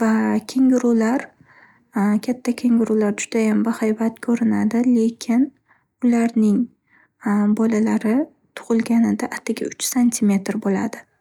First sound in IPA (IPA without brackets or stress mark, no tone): v